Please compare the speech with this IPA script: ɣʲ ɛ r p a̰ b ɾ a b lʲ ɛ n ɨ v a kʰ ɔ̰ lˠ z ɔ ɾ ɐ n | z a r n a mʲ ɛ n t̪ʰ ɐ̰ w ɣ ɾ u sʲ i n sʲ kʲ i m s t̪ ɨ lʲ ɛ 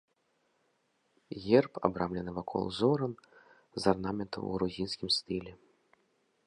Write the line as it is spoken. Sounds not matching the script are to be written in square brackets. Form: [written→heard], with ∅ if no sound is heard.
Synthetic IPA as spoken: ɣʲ ɛ r p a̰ b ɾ a [b→m] lʲ ɛ n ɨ v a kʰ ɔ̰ lˠ z ɔ ɾ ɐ n | z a r n a mʲ ɛ n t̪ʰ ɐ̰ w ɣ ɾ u [sʲ→zʲ] i n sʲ kʲ i m s t̪ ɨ lʲ ɛ